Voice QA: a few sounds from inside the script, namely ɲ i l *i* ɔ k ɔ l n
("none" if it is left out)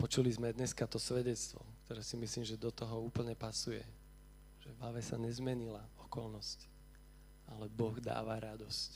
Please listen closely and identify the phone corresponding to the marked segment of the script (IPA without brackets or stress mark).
a